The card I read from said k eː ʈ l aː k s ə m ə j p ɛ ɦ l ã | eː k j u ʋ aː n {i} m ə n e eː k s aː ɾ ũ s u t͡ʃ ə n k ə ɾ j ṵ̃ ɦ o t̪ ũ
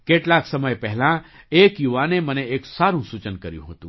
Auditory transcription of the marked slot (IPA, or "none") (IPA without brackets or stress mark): e